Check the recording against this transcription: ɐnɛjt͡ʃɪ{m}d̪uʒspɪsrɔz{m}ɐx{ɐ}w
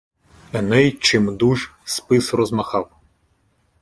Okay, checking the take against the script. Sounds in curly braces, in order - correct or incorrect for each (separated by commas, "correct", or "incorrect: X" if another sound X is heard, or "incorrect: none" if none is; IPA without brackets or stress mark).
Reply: correct, correct, incorrect: ɑ